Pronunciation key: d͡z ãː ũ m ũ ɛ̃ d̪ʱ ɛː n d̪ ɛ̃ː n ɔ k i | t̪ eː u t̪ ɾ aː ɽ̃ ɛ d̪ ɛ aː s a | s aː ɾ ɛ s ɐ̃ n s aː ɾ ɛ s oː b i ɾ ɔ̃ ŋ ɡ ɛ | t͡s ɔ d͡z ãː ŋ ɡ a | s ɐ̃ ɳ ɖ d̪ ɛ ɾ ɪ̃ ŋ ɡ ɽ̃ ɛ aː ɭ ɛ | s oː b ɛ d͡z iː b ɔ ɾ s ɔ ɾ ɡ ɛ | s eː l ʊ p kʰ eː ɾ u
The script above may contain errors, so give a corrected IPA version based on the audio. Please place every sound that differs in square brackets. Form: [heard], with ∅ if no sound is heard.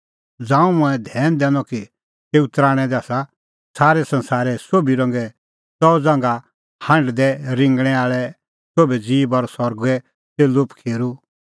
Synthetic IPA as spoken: d͡z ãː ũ m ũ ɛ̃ d̪ʱ ɛː n d̪ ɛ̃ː n ɔ k i | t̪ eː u t̪ ɾ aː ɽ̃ ɛ d̪ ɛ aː s a | s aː ɾ ɛ s ɐ̃ n s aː ɾ ɛ s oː b i ɾ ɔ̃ ŋ ɡ ɛ | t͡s ɔ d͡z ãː ŋ ɡ a | [h] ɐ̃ ɳ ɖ d̪ ɛ ɾ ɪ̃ ŋ ɡ ɽ̃ ɛ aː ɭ ɛ | s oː b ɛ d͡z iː b ɔ ɾ s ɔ ɾ ɡ ɛ | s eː l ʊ p kʰ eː ɾ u